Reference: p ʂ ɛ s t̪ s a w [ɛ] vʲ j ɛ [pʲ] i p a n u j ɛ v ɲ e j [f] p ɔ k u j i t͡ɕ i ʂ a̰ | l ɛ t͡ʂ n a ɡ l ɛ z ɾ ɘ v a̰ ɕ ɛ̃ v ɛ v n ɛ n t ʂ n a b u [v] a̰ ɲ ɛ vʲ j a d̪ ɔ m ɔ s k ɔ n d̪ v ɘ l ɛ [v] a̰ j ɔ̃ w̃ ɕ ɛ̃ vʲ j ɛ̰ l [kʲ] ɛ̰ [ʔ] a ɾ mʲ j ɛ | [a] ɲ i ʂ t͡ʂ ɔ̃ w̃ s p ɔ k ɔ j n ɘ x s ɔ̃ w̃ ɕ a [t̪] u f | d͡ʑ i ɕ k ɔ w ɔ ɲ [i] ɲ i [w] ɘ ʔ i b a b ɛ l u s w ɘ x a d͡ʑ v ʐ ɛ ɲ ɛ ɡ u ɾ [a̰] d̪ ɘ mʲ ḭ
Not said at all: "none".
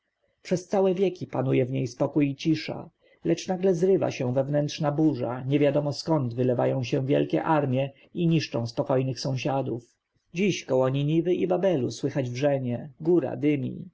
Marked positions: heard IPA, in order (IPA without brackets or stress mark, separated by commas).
ɛ, kʲ, s, ʐ, v, kʲ, ʔ, i, d̪, i, v, a̰